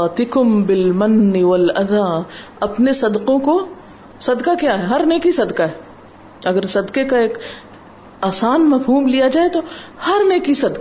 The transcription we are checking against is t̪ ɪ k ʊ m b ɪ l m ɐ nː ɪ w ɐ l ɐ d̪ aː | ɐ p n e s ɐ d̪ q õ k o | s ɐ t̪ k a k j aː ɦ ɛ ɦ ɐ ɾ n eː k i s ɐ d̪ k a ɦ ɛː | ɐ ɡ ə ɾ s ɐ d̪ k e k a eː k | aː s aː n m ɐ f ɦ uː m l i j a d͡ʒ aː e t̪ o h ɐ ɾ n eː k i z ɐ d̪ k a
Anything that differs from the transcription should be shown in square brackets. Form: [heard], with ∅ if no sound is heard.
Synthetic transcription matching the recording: t̪ ɪ k ʊ m b ɪ l m ɐ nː ɪ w ɐ l ɐ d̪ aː | ɐ p n e s ɐ d̪ q õ k o | s ɐ [d̪] k a k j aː ɦ ɛ ɦ ɐ ɾ n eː k i s ɐ d̪ k a ɦ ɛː | ɐ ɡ ə ɾ s ɐ d̪ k e k a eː k | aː s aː n m ɐ f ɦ uː m l i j a d͡ʒ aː e t̪ o h ɐ ɾ n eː k i [s] ɐ d̪ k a